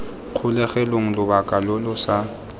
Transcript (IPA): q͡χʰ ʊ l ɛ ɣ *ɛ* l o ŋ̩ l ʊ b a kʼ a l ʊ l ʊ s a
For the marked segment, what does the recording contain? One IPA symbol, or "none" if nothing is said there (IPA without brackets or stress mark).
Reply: ɛ